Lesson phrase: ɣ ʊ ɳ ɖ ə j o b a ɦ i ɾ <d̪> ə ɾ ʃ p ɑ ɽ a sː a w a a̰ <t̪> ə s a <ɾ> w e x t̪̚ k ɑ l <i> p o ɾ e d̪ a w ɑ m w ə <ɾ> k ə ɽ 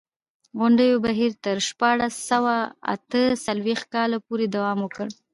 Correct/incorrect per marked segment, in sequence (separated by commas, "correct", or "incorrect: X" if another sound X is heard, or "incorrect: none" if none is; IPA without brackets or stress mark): incorrect: t̪, correct, incorrect: l, incorrect: a, incorrect: none